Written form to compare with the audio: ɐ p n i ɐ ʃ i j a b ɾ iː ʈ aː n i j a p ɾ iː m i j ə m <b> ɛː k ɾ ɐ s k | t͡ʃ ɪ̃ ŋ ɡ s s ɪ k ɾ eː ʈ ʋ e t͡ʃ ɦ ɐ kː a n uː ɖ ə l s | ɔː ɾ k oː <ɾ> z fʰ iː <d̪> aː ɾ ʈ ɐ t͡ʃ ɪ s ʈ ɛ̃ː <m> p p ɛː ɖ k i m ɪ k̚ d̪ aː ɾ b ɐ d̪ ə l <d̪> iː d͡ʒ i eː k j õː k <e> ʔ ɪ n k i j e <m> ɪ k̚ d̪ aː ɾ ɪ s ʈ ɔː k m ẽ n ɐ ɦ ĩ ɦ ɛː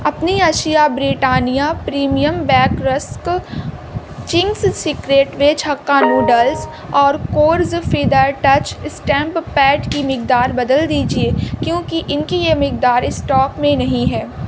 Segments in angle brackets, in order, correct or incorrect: correct, correct, correct, correct, correct, incorrect, correct

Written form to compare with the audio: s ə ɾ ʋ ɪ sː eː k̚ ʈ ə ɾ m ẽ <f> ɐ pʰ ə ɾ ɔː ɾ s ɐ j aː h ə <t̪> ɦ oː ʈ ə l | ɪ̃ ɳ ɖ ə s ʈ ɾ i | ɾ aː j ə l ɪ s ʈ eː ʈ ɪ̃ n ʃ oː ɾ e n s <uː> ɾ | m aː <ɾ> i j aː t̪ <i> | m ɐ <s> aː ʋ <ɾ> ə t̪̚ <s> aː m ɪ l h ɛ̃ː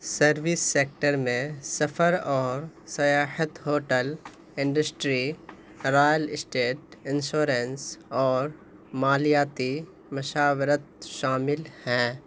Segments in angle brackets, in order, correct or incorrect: incorrect, correct, incorrect, incorrect, correct, incorrect, correct, incorrect

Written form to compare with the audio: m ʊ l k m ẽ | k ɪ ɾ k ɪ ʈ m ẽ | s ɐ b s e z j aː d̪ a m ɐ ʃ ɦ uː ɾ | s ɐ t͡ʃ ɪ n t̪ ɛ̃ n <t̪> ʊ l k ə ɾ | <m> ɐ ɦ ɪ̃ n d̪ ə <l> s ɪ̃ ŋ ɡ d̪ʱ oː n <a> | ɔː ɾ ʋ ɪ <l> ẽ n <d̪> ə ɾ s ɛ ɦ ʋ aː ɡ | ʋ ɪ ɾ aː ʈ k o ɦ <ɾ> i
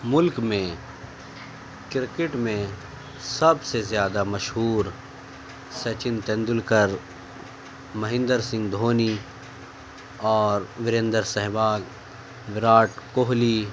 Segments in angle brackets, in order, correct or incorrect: incorrect, correct, incorrect, incorrect, incorrect, correct, incorrect

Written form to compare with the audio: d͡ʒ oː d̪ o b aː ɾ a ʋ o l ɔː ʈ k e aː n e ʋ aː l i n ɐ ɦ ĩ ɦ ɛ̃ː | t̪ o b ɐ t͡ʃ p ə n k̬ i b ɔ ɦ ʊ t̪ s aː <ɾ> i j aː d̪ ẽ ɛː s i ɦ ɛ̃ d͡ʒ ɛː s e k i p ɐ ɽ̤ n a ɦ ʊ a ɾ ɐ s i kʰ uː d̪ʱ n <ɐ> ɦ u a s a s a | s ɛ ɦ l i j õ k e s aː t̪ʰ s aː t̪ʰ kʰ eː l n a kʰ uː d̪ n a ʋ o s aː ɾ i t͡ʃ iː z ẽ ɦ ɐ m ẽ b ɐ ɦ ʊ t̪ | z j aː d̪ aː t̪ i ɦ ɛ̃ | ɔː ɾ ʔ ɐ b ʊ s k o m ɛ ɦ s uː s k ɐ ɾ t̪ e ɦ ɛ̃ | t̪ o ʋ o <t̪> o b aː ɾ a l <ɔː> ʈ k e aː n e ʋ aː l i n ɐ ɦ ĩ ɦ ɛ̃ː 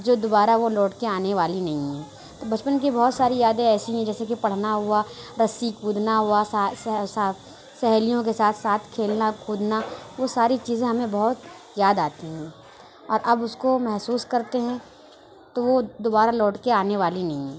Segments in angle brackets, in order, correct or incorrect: correct, incorrect, incorrect, correct

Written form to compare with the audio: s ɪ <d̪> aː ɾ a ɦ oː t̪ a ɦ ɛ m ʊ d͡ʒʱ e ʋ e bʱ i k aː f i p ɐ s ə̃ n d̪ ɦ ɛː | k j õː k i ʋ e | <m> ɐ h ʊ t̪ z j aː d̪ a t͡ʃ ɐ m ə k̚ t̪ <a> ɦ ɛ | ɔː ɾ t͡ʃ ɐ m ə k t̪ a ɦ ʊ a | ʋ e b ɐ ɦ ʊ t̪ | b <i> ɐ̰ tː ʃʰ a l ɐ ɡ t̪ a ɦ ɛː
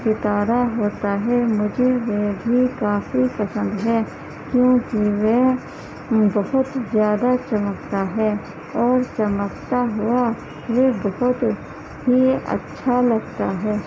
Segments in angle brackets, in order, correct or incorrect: incorrect, incorrect, correct, correct

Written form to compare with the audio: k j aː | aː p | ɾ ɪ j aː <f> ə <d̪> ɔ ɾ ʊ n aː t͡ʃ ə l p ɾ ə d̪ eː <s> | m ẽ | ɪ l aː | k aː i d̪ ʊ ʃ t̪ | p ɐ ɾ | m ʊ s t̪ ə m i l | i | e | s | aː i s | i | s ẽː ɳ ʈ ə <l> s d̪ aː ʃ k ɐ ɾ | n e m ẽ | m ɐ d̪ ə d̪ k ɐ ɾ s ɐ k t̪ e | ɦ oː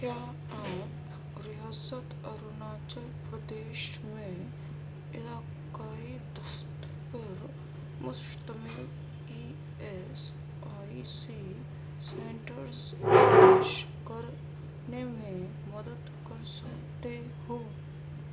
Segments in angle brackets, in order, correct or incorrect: incorrect, incorrect, incorrect, incorrect

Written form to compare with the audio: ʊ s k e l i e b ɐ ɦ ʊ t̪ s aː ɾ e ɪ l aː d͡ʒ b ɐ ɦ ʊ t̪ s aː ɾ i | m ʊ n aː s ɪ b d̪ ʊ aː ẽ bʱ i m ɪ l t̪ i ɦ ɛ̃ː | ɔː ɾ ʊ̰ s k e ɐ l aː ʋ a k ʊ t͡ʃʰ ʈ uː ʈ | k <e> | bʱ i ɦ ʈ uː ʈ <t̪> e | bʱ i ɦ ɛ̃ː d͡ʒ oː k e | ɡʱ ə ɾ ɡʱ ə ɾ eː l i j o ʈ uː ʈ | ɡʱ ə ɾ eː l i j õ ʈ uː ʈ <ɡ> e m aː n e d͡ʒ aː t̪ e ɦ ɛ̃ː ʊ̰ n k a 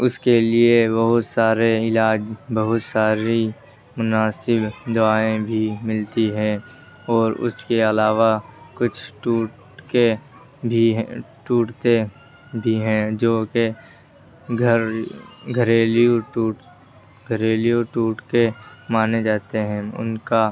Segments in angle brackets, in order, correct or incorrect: correct, correct, incorrect

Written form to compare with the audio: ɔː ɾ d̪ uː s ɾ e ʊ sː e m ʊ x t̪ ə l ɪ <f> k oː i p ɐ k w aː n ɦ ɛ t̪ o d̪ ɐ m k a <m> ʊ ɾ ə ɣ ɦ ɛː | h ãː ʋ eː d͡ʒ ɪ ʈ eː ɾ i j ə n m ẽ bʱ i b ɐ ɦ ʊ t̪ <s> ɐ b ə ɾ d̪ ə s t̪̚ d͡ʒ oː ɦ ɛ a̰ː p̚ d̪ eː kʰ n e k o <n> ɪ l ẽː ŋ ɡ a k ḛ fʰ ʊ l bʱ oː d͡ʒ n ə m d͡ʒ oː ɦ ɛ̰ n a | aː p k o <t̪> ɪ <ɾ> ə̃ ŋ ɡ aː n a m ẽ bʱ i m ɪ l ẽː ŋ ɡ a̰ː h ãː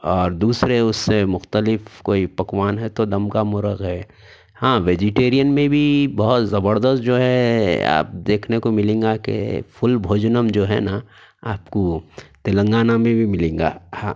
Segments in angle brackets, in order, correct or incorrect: correct, correct, incorrect, incorrect, correct, incorrect

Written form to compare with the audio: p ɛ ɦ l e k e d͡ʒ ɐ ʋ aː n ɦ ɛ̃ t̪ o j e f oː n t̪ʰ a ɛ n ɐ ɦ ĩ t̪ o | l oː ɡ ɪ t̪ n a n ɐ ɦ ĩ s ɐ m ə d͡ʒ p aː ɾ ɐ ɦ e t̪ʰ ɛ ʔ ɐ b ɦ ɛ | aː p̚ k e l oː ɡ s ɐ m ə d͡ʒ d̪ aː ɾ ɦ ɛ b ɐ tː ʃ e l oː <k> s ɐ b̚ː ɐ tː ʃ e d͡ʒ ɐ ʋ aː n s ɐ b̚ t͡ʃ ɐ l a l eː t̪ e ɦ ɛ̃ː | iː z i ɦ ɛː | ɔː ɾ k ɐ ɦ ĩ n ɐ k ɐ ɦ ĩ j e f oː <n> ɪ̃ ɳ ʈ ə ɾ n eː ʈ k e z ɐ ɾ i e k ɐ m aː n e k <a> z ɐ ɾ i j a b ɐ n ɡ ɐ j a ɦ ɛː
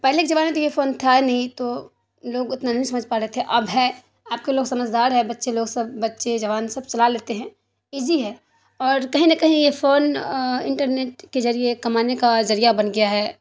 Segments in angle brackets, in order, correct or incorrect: incorrect, correct, correct

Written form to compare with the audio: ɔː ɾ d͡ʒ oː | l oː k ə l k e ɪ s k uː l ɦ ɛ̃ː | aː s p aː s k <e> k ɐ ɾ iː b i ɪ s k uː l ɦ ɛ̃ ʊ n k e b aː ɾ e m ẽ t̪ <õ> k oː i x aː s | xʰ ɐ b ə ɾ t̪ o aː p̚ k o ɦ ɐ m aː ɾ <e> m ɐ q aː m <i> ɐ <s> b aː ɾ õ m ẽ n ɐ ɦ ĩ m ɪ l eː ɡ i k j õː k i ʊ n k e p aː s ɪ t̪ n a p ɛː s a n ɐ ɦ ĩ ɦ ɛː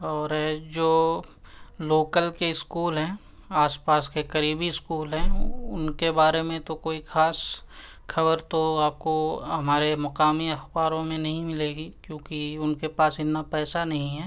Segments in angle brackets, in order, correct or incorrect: correct, incorrect, correct, correct, incorrect

